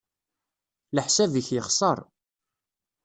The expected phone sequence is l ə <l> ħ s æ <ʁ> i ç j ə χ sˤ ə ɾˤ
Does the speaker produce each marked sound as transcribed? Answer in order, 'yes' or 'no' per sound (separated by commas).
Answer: no, no